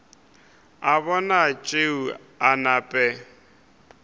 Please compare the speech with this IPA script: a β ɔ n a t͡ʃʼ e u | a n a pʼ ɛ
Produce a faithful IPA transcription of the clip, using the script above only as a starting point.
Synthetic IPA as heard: a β ɔ n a t͡ʃʼ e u | a n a pʼ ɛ